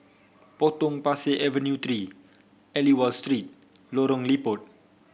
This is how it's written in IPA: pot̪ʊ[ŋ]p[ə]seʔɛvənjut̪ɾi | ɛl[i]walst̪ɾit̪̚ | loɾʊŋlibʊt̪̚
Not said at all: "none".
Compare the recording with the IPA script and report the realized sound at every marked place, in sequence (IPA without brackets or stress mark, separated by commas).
ŋ, a, i